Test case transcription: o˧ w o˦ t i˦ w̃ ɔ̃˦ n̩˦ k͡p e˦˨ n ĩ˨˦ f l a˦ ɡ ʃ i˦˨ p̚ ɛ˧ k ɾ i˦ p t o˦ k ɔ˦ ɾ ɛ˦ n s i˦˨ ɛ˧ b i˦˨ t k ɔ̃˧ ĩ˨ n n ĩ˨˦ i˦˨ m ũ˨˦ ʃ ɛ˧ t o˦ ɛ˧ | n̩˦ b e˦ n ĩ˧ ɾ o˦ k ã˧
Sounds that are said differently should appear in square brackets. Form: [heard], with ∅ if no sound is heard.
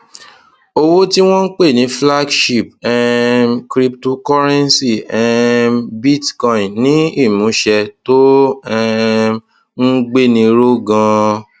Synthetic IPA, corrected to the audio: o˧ w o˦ t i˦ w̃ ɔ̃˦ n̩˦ k͡p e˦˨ n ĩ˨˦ f l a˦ ɡ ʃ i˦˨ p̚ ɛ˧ k ɾ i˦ p t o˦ k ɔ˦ ɾ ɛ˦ n s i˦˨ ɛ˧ b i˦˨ t k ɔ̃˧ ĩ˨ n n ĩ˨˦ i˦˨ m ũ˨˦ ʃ ɛ˧ t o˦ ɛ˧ | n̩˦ [ɡ͡b] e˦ n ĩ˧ ɾ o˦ [ɡ] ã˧